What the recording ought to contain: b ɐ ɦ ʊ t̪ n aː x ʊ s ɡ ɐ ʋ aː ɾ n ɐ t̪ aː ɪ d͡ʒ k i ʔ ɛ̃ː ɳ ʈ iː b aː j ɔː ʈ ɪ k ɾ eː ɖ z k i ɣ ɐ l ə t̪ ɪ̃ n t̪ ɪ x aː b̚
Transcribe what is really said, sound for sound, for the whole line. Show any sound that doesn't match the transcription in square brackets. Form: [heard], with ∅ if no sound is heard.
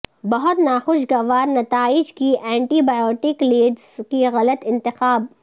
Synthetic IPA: b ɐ ɦ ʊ t̪ n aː x ʊ [ʃ] ɡ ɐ ʋ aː ɾ n ɐ t̪ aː ɪ d͡ʒ k i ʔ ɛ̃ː ɳ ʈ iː b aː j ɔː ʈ ɪ k [l] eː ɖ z k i ɣ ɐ l ə t̪ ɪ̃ n t̪ ɪ x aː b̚

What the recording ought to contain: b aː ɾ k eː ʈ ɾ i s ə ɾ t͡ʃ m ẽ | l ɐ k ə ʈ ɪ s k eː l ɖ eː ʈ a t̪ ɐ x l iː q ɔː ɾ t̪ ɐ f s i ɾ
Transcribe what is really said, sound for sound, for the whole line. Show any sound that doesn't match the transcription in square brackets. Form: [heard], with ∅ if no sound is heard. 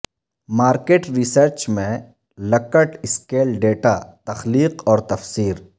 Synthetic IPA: [m] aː ɾ k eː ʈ ɾ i s ə ɾ t͡ʃ m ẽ | l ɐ k ə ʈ ɪ s k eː l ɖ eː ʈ a t̪ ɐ x l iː q ɔː ɾ t̪ ɐ f s [iː] ɾ

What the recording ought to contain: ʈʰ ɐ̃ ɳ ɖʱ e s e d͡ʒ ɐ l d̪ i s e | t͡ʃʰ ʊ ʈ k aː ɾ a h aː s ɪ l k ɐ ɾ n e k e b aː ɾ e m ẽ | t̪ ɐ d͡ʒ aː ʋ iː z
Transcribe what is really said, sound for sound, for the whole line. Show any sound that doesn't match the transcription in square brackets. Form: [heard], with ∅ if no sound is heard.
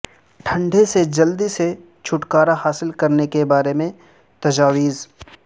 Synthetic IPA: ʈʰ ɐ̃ ɳ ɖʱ e s e d͡ʒ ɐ l d̪ i s e | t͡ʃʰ ʊ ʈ k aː ɾ a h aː s ɪ l k ɐ ɾ n e k e b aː ɾ e m ẽ | t̪ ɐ d͡ʒ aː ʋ iː z

